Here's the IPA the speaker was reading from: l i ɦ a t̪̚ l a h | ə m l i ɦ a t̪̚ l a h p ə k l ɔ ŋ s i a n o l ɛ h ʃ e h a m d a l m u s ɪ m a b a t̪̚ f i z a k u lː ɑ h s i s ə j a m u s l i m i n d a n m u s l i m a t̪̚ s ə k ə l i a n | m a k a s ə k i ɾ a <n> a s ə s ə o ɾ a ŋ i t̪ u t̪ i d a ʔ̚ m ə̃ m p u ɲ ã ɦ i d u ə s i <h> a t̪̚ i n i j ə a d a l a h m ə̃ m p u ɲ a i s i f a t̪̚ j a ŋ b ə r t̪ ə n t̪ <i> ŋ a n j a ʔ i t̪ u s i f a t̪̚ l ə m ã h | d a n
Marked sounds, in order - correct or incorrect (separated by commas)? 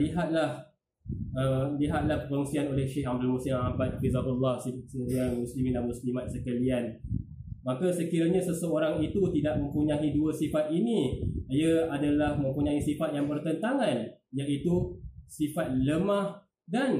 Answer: incorrect, incorrect, incorrect